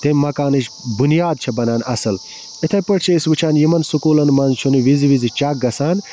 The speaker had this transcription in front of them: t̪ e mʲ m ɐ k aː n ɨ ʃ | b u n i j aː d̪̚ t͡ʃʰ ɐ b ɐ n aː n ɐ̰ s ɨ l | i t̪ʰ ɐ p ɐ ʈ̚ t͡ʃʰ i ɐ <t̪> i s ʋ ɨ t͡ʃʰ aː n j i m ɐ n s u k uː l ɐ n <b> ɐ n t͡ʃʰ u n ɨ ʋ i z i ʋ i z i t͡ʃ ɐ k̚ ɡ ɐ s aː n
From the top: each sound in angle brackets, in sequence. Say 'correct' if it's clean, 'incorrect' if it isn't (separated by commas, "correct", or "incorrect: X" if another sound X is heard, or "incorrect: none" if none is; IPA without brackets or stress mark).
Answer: incorrect: none, incorrect: m